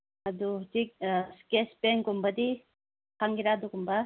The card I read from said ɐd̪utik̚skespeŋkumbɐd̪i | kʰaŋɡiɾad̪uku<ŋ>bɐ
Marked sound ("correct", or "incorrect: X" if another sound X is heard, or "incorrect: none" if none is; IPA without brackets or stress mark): incorrect: m